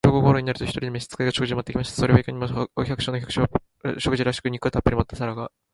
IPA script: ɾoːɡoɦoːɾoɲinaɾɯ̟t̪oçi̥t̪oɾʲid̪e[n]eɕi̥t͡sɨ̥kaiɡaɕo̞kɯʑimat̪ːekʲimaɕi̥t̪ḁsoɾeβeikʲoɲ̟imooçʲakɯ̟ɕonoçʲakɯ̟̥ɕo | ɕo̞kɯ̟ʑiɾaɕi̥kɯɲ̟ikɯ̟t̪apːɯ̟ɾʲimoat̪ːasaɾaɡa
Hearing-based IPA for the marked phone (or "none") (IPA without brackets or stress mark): m